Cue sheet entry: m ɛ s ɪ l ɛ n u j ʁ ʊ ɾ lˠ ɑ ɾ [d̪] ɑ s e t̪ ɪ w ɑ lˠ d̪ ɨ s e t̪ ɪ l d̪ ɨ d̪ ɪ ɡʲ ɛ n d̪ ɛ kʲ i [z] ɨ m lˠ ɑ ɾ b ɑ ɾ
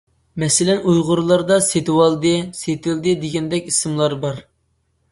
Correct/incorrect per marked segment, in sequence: correct, incorrect: s

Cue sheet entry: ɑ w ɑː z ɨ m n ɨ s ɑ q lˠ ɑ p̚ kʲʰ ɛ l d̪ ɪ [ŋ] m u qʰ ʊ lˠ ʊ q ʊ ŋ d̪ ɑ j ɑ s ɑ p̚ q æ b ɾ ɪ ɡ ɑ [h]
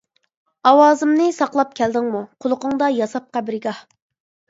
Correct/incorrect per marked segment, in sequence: correct, correct

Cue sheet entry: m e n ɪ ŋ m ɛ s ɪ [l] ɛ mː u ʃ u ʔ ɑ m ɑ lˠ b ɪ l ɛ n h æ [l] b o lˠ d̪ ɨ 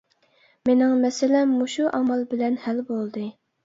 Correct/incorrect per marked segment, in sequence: correct, correct

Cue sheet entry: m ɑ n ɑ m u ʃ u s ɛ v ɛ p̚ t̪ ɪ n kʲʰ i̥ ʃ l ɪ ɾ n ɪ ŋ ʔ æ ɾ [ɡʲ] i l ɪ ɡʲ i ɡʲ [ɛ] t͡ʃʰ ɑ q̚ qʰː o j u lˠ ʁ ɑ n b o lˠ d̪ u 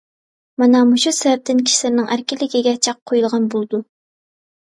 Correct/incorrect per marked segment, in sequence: incorrect: kʲ, correct

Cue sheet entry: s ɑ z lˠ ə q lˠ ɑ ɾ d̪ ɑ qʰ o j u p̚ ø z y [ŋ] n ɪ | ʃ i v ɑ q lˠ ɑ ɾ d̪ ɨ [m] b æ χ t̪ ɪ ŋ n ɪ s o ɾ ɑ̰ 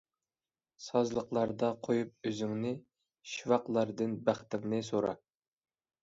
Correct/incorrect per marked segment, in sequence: correct, incorrect: n

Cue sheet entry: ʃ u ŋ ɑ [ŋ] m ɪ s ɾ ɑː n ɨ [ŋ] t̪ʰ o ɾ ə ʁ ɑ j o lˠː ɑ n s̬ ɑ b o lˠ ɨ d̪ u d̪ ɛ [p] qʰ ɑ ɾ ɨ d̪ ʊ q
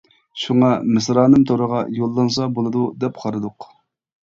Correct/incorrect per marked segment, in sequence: incorrect: none, incorrect: m, correct

